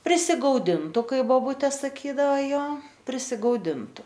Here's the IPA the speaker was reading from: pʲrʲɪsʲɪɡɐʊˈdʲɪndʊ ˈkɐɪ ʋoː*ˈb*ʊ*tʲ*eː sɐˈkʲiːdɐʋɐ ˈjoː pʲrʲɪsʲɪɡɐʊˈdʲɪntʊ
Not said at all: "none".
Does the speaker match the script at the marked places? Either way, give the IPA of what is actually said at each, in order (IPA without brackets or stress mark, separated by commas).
b, tʲ